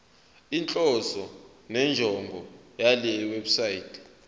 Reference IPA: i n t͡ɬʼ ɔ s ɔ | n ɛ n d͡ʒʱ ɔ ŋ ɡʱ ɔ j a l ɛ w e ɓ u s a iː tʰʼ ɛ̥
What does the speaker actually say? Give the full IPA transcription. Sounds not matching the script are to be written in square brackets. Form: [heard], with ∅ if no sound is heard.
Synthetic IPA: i n t͡ɬʼ ɔ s ɔ | n ɛ n d͡ʒʱ ɔ ŋ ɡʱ ɔ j a l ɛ w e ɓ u s a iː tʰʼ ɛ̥